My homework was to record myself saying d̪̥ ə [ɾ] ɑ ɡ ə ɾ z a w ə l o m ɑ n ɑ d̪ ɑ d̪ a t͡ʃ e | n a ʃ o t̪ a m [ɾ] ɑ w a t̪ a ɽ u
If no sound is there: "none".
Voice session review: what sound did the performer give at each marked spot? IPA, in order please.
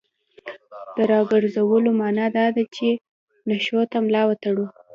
ɾ, l

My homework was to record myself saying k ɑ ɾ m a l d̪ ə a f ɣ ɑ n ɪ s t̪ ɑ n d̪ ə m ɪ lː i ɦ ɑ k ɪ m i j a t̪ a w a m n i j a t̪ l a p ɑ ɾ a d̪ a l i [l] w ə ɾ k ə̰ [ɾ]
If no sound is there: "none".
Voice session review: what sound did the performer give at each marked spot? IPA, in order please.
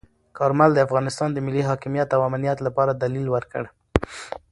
l, ɽ

